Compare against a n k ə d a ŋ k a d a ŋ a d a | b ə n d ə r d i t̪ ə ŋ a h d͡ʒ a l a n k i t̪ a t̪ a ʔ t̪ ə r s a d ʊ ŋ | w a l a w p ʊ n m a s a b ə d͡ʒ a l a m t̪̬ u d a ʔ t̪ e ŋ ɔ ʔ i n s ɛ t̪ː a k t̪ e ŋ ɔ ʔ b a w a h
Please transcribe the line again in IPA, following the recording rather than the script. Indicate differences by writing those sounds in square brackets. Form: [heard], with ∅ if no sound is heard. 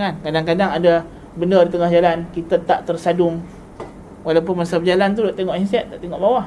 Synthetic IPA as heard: a n k [a] d a ŋ k a d a ŋ a d a | b ə n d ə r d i t̪ ə ŋ a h d͡ʒ a l a n k i t̪ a t̪ a ʔ t̪ ə r s a d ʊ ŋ | w a l a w p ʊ n m a s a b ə d͡ʒ a l a [n] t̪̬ u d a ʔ t̪ e ŋ ɔ ʔ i n s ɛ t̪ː a [ʔ] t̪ e ŋ ɔ ʔ b a w a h